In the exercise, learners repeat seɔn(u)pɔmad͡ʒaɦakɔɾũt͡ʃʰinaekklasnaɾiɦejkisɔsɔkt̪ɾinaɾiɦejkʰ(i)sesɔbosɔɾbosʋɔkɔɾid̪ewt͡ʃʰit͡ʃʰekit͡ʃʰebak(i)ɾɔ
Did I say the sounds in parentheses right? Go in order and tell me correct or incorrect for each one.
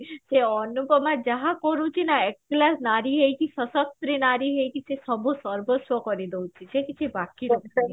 correct, correct, correct

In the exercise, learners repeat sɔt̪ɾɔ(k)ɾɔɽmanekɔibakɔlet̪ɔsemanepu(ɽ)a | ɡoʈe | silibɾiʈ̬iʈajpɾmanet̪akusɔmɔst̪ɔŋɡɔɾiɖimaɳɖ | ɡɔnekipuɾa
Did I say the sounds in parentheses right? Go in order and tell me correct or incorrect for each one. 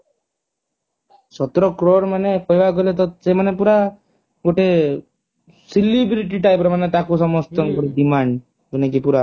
correct, incorrect: ɾ

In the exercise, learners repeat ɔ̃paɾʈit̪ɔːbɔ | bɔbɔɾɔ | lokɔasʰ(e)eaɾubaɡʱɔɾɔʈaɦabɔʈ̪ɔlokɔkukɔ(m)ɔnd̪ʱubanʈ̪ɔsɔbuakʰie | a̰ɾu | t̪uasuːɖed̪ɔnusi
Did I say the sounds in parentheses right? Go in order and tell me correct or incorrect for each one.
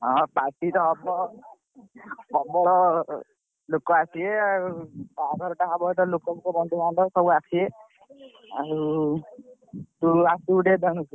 incorrect: i, incorrect: b

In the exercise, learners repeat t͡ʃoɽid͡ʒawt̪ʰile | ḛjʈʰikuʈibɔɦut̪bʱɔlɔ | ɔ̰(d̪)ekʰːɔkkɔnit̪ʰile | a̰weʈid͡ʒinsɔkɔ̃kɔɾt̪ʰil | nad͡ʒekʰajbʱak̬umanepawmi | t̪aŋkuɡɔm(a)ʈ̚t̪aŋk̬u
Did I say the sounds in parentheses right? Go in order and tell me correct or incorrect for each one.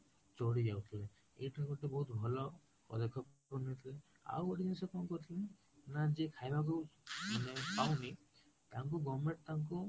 correct, incorrect: e

